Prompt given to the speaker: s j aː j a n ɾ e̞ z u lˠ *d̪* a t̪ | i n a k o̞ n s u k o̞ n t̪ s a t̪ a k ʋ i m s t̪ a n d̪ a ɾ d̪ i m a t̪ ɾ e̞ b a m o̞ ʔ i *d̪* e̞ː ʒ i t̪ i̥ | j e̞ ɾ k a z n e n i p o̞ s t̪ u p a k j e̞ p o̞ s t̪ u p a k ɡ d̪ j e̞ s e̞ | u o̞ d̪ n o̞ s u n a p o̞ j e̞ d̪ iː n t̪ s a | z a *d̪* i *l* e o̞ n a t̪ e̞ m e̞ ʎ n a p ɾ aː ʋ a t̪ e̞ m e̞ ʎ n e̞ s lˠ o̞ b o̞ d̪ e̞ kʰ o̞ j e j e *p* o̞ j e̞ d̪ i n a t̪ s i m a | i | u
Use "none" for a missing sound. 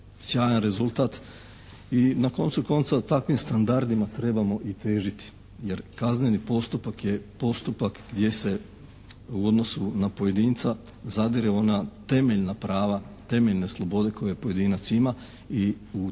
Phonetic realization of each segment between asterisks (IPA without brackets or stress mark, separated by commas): t̪, t̪, d̪, ɾ, p